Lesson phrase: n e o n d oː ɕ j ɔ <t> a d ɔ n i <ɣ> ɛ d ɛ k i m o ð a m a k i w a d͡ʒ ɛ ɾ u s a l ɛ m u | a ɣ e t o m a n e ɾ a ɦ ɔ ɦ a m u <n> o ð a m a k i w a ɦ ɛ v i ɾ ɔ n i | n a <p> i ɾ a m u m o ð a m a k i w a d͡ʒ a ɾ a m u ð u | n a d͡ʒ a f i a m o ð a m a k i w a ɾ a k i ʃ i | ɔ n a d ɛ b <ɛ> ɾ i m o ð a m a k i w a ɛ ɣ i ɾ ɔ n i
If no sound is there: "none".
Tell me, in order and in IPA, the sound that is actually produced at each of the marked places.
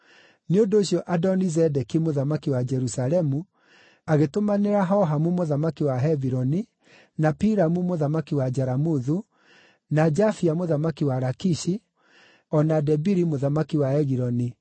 ʔ, z, m, p, i

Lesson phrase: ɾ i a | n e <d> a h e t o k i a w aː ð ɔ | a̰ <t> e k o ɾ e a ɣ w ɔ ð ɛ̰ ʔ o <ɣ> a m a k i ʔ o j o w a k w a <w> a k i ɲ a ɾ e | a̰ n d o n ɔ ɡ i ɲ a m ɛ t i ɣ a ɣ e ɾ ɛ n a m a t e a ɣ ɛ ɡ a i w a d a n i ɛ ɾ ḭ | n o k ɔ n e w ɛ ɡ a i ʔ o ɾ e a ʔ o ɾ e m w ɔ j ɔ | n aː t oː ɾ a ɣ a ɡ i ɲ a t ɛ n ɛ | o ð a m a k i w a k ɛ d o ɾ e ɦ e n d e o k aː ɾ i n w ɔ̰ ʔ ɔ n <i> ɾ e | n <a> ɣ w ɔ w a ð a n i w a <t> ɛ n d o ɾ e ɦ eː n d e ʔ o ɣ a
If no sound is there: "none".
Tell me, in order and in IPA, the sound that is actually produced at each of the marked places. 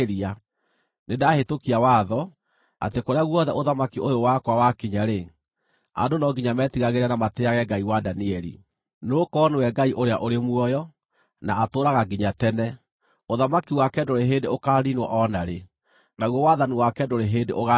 d, t, ð, w, a, a, k

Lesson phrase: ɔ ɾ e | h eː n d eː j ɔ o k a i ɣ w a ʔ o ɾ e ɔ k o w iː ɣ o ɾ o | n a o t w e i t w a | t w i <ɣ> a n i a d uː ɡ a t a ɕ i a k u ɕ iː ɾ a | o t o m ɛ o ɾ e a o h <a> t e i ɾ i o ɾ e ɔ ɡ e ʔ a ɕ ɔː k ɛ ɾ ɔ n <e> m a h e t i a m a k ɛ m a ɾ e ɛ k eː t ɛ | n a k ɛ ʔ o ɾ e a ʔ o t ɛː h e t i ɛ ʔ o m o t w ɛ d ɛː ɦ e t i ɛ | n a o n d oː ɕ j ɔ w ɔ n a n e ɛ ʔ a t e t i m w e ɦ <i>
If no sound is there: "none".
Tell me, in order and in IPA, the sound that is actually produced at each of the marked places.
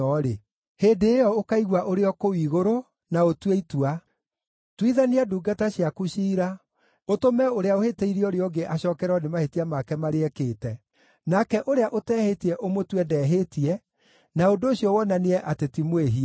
ð, e, e, i

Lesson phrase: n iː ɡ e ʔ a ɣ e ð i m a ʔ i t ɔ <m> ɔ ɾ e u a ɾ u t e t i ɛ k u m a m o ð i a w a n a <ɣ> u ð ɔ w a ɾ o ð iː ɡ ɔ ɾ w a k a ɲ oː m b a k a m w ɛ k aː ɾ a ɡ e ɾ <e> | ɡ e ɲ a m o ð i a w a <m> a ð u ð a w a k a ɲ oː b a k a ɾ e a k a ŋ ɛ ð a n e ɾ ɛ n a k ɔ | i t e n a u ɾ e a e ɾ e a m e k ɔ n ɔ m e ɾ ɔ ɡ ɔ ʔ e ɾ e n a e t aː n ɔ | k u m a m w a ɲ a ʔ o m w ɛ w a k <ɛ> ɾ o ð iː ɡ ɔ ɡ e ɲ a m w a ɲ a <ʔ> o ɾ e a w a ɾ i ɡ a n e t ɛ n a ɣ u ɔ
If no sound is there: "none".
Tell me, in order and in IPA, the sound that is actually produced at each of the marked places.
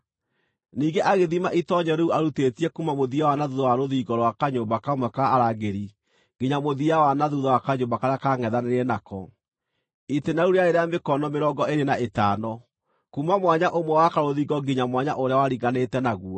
ɲ, ð, i, n, a, ʔ

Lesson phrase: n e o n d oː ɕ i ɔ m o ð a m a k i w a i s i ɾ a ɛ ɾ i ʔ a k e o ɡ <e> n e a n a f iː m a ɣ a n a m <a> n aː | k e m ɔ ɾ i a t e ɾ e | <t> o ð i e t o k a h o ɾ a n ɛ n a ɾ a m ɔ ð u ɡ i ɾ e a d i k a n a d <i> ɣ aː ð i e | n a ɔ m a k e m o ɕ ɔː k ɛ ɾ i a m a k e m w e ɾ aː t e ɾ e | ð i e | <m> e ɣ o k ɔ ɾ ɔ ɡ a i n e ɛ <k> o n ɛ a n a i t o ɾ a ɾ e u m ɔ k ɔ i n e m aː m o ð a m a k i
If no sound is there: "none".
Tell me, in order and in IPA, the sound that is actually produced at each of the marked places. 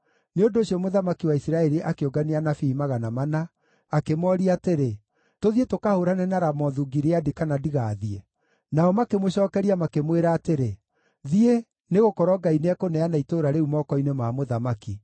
a, a, t, i, n, k

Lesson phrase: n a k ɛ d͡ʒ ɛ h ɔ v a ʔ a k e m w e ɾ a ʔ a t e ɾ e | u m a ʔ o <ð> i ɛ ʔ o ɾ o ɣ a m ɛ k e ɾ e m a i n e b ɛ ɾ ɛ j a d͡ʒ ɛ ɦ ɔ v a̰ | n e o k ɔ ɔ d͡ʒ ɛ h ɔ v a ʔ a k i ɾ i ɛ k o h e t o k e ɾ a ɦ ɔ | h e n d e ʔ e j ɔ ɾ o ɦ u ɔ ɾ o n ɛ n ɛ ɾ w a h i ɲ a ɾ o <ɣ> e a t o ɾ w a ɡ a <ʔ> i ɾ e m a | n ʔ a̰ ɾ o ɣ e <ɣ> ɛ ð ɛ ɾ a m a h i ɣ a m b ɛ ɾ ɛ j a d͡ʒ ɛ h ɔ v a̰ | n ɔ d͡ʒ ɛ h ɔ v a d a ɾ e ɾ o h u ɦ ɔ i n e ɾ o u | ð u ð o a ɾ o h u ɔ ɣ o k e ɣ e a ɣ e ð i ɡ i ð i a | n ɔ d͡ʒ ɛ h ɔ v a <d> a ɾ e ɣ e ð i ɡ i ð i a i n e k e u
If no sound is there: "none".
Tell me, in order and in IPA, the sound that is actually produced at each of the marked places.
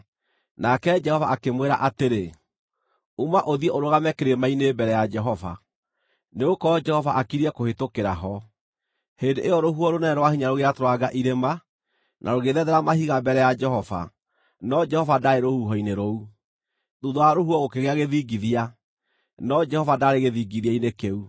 ð, ɣ, ʔ, ð, d

